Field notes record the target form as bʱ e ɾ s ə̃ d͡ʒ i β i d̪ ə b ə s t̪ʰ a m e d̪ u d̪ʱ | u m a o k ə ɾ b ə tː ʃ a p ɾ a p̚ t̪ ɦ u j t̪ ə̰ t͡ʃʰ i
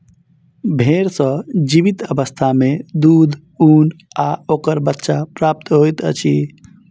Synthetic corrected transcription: bʱ e ɾ s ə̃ d͡ʒ i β i t̪ ə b ə s t̪ʰ a m e d̪ u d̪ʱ | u n a o k ə ɾ b ə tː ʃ a p ɾ a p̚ t̪ ɦ o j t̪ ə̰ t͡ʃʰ i